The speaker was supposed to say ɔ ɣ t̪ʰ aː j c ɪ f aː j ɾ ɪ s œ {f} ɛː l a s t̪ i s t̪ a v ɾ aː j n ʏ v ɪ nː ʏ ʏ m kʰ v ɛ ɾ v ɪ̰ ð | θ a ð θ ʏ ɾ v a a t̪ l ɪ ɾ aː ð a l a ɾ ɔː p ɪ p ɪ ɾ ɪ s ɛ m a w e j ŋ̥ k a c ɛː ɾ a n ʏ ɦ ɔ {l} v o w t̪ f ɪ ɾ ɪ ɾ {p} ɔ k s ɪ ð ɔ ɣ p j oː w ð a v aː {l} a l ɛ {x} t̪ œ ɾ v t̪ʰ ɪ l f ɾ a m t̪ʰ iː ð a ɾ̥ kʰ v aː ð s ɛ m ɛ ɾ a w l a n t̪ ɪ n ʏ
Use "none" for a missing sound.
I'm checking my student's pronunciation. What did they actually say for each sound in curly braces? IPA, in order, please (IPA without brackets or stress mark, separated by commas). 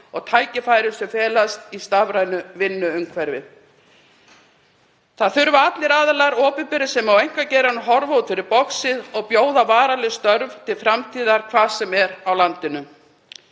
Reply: f, ɾ, p, ɾ, s